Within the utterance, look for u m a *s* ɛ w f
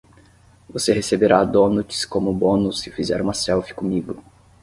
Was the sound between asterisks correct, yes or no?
yes